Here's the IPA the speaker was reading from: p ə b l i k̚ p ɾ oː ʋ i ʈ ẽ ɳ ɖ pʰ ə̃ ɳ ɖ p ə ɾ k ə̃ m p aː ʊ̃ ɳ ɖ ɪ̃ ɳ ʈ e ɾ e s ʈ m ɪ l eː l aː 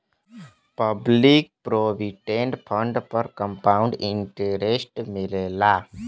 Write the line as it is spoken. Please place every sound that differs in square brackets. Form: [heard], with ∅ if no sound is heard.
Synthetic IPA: p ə b l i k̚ p ɾ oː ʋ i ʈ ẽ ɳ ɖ pʰ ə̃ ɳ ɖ p ə ɾ k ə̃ m p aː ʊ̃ ɳ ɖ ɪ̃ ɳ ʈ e ɾ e s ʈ m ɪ l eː l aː